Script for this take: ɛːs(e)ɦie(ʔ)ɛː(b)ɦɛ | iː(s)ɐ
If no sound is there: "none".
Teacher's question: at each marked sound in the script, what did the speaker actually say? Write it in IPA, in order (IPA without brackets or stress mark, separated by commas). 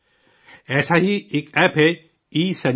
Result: a, k, p, s